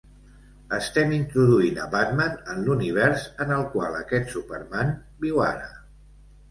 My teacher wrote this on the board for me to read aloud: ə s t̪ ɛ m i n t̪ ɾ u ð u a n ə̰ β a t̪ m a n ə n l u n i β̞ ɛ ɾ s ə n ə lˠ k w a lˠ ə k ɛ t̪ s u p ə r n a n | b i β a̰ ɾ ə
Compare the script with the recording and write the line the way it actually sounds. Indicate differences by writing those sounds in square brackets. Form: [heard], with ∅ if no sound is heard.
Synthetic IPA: ə s t̪ ɛ m i n t̪ ɾ u ð u [i] n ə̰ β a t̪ m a n ə n l u n i β̞ ɛ ɾ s ə n ə lˠ k w a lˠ ə k ɛ t̪ s u p ə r [m] a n | b i [w] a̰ ɾ ə